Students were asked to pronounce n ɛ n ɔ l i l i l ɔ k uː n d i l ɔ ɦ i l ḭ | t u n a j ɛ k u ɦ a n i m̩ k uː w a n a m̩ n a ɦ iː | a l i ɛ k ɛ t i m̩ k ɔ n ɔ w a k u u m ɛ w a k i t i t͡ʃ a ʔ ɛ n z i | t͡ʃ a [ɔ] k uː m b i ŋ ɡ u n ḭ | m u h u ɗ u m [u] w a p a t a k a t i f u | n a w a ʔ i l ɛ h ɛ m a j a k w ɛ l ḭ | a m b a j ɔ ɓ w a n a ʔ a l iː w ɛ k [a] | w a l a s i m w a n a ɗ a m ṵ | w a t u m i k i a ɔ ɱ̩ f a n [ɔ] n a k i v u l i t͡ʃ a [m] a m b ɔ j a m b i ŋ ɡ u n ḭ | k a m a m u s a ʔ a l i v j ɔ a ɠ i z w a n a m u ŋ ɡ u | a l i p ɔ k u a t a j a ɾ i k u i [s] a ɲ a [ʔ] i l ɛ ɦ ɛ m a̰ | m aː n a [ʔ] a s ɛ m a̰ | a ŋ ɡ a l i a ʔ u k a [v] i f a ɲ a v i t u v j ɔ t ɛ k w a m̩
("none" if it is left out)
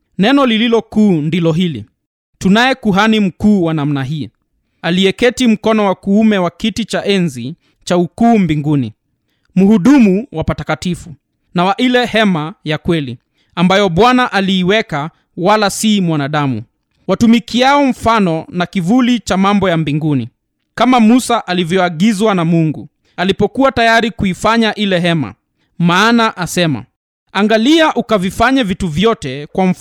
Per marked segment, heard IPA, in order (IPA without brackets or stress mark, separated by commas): u, u, a, ɔ, m, f, ʔ, ʔ, v